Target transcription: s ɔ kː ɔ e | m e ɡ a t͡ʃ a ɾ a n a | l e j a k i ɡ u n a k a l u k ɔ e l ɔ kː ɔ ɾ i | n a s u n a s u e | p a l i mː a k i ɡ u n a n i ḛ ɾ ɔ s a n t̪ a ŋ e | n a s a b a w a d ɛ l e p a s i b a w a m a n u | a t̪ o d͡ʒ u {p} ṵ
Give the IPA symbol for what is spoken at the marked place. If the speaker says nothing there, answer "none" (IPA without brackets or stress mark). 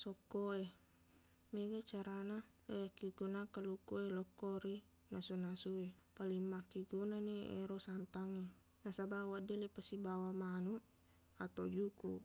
k